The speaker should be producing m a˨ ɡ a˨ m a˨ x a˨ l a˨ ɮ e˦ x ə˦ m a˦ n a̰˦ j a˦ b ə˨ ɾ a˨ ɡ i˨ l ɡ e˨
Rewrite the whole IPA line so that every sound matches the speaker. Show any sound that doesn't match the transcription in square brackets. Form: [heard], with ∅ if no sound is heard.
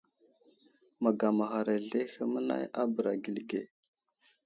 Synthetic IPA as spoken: m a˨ ɡ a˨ m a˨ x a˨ [ɾ] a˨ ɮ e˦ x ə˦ m [ə˦] n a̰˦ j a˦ b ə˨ ɾ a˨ ɡ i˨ l ɡ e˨